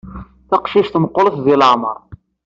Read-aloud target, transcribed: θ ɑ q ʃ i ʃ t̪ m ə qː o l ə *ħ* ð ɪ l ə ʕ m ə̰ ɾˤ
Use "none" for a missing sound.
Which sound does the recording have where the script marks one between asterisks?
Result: θ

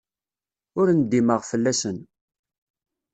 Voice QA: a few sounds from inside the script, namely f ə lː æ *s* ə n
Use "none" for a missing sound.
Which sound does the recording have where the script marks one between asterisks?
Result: s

